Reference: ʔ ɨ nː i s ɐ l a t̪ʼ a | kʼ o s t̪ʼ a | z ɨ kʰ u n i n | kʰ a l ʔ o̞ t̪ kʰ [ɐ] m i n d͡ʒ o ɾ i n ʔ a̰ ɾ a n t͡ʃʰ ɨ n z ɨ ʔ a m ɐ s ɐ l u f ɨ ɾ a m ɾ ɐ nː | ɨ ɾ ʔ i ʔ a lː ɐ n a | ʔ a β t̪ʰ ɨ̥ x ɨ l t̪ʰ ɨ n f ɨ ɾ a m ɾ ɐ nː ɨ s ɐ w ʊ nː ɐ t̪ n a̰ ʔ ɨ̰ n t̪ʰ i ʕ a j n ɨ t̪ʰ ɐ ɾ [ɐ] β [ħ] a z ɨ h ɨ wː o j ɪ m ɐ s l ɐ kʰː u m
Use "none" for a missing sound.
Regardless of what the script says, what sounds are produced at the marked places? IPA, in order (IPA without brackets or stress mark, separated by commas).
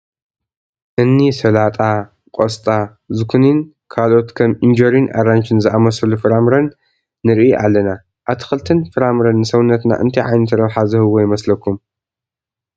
ɐ, ɐ, ħ